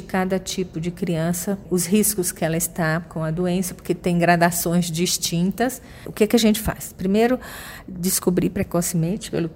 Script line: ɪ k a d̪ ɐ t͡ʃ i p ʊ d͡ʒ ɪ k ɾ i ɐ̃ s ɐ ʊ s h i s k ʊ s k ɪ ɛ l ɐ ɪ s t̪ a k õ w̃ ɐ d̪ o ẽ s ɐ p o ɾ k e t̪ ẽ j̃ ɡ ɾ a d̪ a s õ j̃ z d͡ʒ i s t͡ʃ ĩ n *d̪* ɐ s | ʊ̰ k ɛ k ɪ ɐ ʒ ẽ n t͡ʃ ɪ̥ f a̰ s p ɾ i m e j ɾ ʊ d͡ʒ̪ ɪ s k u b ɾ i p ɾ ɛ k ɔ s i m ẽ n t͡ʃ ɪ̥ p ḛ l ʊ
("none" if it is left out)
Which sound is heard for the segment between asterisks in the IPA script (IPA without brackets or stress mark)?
t̪